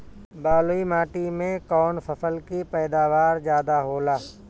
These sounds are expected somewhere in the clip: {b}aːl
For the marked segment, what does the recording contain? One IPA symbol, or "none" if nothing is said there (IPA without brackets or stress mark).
b